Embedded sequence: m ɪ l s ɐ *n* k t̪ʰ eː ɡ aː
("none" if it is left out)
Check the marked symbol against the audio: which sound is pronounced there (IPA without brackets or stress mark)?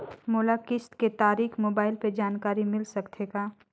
none